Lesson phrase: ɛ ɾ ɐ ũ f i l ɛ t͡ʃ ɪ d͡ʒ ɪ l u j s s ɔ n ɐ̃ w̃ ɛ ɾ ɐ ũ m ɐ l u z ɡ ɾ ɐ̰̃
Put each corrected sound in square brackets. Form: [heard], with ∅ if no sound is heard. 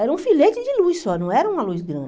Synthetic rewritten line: ɛ ɾ ɐ ũ f i l [e] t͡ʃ ɪ d͡ʒ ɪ l u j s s ɔ n ɐ̃ w̃ ɛ ɾ ɐ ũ m ɐ l u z ɡ ɾ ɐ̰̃